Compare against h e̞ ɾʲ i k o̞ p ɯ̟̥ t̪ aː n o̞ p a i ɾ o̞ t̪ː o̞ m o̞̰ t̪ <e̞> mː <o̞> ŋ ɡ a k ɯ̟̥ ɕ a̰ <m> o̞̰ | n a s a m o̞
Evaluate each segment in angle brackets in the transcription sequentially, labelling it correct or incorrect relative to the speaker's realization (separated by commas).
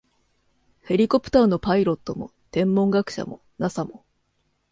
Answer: incorrect, incorrect, correct